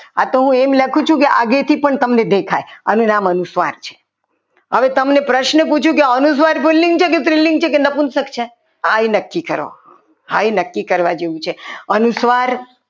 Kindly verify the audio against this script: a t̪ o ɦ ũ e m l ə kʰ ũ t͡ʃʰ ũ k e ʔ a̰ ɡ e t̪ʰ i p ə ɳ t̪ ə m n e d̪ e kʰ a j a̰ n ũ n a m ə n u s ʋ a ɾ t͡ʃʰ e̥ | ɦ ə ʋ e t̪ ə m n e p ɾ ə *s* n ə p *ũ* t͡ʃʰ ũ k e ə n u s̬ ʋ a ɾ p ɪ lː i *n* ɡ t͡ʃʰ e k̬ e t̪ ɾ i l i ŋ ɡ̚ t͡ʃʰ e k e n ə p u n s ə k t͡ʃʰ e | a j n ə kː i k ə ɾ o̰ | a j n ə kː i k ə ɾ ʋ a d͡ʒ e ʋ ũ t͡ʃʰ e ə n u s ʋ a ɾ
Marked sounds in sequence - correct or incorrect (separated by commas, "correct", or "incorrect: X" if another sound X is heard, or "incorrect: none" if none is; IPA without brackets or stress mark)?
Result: incorrect: ʃ, incorrect: u, incorrect: ŋ